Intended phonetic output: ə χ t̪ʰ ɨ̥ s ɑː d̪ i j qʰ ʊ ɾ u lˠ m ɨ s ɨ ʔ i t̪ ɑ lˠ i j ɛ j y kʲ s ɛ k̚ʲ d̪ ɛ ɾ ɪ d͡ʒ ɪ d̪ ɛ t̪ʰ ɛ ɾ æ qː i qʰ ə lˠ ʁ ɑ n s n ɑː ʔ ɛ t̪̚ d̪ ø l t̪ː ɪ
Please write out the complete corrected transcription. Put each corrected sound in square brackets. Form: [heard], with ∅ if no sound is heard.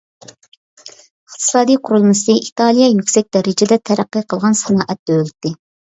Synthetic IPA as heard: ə χ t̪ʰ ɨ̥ s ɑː d̪ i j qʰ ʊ ɾ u lˠ m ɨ s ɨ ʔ i t̪ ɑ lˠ i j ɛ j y kʲ s ɛ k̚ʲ d̪ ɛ ɾ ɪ d͡ʒ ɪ d̪ ɛ t̪ʰ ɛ ɾ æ qː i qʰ ə lˠ ʁ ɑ n s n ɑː ʔ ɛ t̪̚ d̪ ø l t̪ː ɪ